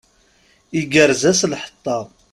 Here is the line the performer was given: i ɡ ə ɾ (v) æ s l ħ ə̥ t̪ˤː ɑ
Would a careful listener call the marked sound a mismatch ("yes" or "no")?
yes